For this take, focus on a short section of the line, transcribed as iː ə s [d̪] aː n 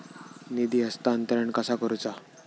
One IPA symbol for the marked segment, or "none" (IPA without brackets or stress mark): t̪